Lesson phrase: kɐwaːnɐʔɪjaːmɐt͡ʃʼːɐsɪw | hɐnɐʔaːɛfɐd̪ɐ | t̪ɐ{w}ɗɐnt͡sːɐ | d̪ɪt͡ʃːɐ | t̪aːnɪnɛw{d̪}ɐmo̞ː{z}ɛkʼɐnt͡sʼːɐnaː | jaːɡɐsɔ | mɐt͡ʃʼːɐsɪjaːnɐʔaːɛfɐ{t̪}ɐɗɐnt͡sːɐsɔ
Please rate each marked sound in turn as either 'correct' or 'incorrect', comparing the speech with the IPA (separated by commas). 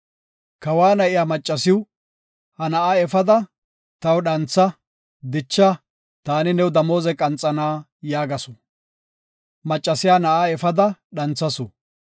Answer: correct, correct, correct, incorrect